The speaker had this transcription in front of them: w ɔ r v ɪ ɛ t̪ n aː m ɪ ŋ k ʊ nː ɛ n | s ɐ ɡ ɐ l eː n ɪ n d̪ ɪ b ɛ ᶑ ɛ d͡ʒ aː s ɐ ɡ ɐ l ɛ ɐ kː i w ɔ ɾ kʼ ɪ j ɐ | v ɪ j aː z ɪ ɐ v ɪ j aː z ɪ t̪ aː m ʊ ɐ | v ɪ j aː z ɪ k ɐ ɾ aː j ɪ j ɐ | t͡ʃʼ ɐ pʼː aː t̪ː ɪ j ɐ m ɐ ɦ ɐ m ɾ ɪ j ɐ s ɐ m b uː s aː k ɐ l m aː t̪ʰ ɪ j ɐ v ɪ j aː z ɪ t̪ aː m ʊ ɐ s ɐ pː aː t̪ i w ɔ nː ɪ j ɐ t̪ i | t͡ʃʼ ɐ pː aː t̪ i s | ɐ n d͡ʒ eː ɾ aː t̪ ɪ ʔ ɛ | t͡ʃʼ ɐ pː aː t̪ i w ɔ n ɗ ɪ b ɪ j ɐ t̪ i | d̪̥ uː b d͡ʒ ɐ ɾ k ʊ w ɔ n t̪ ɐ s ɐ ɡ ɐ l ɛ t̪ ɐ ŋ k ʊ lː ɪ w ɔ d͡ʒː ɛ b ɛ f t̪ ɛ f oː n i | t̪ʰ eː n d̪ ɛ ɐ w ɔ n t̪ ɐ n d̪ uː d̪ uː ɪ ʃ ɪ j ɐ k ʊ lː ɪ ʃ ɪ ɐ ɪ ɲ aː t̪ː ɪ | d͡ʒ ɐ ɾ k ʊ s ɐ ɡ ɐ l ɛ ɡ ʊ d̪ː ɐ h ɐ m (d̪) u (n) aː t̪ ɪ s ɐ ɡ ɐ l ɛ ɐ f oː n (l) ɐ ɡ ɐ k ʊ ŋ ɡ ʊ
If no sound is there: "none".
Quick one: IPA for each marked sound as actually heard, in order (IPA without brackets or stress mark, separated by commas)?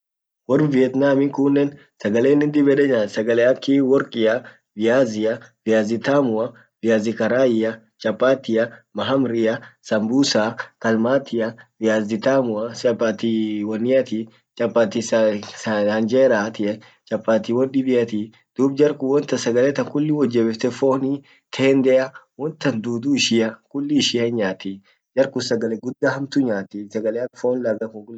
t̪, ɲ, l